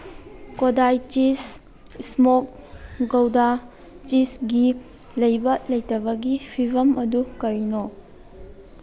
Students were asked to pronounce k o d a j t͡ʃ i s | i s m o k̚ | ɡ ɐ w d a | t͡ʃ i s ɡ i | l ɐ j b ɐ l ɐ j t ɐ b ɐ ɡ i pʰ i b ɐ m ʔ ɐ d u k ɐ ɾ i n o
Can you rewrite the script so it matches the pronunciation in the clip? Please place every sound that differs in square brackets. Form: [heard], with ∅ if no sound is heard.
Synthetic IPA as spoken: k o d a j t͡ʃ i s | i s m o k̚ | ɡ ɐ w d a | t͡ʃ i s ɡ i | l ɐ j b ɐ l ɐ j t ɐ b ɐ ɡ i pʰ i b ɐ m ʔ ɐ d u k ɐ ɾ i n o